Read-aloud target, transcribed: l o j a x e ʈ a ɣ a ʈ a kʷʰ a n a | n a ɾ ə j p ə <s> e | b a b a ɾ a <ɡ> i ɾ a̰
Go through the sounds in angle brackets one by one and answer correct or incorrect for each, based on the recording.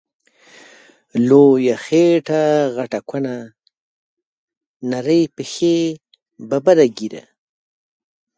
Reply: incorrect: x, correct

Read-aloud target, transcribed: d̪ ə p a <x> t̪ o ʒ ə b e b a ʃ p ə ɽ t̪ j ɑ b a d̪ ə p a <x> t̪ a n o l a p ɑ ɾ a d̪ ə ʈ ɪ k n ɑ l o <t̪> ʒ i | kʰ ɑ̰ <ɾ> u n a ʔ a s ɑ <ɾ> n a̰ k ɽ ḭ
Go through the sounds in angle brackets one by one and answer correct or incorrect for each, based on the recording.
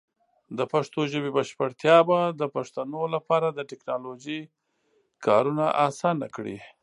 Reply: incorrect: ʂ, incorrect: ʂ, incorrect: none, correct, incorrect: none

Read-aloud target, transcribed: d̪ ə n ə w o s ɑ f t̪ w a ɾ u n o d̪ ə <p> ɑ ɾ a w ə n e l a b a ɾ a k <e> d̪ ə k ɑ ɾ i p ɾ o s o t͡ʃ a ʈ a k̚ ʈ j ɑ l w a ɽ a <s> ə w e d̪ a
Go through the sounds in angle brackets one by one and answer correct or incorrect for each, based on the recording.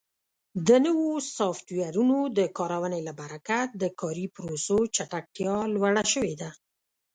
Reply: incorrect: k, incorrect: a, incorrect: ʃ

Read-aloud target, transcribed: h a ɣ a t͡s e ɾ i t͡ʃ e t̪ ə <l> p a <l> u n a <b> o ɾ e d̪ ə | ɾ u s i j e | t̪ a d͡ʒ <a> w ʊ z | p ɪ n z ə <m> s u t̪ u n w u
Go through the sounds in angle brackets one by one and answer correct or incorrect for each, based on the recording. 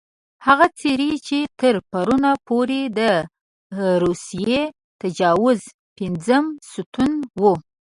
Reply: incorrect: ɾ, incorrect: ɾ, incorrect: p, incorrect: ɑ, correct

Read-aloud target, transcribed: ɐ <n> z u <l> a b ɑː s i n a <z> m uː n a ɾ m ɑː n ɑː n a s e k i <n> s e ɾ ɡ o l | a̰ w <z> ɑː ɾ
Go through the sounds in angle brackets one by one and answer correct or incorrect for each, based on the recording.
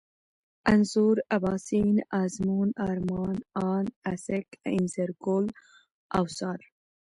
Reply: correct, incorrect: ɾ, correct, correct, incorrect: s

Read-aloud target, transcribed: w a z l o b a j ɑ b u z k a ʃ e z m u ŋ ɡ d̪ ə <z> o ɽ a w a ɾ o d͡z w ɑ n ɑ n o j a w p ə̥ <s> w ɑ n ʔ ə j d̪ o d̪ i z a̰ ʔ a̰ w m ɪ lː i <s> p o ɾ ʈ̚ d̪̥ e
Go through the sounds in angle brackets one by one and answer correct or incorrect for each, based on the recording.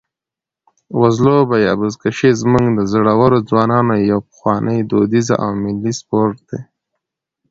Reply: correct, incorrect: x, correct

